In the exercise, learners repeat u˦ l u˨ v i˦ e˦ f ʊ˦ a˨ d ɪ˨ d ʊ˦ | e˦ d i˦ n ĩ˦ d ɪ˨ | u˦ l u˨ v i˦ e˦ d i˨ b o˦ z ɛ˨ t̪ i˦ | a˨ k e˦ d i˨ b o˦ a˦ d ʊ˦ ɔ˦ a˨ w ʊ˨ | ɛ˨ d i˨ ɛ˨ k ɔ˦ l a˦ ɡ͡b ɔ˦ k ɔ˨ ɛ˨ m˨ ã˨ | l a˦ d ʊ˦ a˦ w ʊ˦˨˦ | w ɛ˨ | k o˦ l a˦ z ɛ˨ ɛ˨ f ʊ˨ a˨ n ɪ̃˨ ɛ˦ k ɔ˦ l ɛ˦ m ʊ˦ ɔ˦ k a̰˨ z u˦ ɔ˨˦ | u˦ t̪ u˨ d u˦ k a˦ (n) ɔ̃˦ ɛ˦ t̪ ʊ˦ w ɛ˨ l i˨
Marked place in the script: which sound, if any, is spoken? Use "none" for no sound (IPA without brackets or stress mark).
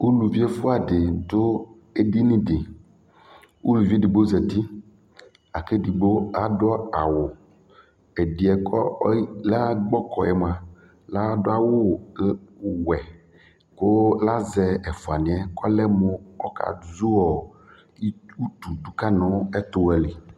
n